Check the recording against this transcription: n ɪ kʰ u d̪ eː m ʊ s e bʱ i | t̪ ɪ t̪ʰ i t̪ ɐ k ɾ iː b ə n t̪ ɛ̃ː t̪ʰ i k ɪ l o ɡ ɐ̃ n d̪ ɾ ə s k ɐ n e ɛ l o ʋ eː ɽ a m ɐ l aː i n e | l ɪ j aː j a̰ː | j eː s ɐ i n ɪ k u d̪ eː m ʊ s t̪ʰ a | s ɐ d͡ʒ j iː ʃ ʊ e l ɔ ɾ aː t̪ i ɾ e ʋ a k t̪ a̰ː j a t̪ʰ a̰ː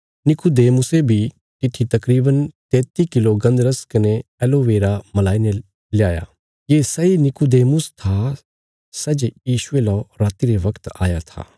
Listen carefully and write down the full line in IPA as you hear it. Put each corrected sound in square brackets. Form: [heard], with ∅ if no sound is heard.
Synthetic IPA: n ɪ [k] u d̪ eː m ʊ s e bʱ i | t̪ ɪ t̪ʰ i t̪ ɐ k ɾ iː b ə n t̪ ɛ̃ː [t̪] i k ɪ l o ɡ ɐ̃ n d̪ ɾ ə s k ɐ n e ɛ l o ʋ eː [ɾ] a m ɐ l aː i n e | l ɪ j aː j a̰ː | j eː s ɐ i n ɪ k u d̪ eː m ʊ s t̪ʰ a | s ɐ d͡ʒ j iː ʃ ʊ e l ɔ ɾ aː t̪ i ɾ e ʋ [ɐ] k t̪ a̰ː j a t̪ʰ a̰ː

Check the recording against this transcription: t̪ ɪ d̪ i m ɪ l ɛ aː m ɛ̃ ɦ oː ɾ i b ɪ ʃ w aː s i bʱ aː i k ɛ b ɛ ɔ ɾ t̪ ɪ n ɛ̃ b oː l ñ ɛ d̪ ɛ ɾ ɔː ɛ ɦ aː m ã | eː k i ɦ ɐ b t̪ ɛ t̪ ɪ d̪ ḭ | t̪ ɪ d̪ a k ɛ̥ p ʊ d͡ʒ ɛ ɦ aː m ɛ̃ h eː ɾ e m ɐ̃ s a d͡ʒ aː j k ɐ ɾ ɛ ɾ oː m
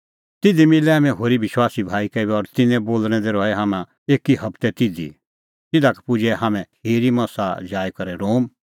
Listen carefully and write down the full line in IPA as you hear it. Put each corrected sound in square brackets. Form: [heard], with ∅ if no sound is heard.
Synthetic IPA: t̪ ɪ d̪ i m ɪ l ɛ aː m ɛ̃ ɦ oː ɾ i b ɪ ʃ w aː s i bʱ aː i k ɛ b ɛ ɔ ɾ t̪ ɪ n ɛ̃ b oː l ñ ɛ d̪ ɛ ɾ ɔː ɛ ɦ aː m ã | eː k i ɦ ɐ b t̪ ɛ t̪ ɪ d̪ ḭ | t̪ ɪ d̪ a k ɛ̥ p ʊ d͡ʒ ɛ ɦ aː m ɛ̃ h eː ɾ [i] m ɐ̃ s a d͡ʒ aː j k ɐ ɾ ɛ ɾ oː m

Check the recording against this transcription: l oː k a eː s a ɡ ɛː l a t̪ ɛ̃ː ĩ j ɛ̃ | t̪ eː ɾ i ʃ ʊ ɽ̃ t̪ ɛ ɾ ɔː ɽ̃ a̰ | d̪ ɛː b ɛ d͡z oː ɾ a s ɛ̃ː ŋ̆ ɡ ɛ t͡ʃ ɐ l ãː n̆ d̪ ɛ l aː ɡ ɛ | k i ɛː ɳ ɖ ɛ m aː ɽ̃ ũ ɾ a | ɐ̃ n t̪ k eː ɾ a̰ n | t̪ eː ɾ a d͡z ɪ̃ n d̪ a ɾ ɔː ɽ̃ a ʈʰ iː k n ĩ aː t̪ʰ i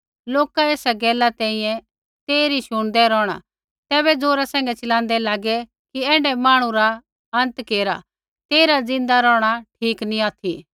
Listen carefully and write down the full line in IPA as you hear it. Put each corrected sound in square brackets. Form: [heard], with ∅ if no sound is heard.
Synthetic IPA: l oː k a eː s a ɡ ɛː l a t̪ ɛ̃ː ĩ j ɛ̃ | t̪ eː ɾ i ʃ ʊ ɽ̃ [d̪] ɛ ɾ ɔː ɽ̃ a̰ | [t̪] ɛː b ɛ d͡z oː ɾ a s ɛ̃ː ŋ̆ ɡ ɛ t͡ʃ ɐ l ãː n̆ d̪ ɛ l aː ɡ ɛ | k i ɛː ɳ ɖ ɛ m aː ɽ̃ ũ ɾ a | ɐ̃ n t̪ k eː ɾ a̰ [∅] | t̪ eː ɾ a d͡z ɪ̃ n d̪ a ɾ ɔː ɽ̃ a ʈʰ iː k n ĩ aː t̪ʰ i

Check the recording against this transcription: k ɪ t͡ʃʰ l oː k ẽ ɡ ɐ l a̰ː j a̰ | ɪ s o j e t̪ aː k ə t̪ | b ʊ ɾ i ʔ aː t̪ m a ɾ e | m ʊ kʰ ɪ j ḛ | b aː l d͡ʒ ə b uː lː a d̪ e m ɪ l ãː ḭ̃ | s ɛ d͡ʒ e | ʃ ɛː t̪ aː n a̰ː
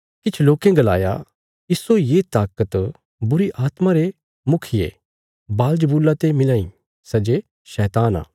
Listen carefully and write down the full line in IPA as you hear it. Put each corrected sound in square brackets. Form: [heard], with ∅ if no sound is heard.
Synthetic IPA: k ɪ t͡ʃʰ l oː k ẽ ɡ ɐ l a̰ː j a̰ | ɪ s o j e t̪ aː k ə t̪ | b ʊ ɾ i ʔ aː t̪ m a ɾ e | m ʊ kʰ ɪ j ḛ | b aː l d͡ʒ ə b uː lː a [t̪] e m ɪ l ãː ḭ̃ | s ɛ d͡ʒ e | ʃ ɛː t̪ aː n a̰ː

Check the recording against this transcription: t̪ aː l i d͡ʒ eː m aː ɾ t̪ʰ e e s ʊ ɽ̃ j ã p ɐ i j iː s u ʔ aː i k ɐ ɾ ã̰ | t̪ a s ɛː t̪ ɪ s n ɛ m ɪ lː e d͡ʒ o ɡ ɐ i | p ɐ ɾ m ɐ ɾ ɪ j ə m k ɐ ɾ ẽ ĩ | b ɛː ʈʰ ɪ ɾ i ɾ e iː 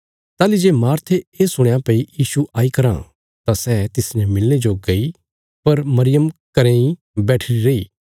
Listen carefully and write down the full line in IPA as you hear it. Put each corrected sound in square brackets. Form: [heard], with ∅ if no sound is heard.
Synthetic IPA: t̪ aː l i d͡ʒ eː m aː ɾ t̪ʰ e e s ʊ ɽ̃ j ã p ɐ i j iː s u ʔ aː i k ɐ ɾ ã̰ | t̪ a s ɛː t̪ ɪ s n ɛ m ɪ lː e d͡ʒ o ɡ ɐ i | p ɐ ɾ m ɐ ɾ ɪ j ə m k ɐ ɾ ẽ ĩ | b ɛː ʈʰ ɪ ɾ i ɾ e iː

